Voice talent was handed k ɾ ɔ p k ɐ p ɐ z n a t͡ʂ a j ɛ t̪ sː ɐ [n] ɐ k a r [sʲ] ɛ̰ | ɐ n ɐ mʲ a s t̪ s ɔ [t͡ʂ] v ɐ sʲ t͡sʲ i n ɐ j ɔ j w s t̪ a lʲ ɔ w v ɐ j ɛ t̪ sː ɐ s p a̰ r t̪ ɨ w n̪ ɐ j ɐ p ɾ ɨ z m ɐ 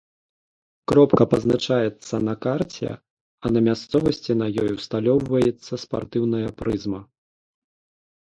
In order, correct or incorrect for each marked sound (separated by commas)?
correct, incorrect, incorrect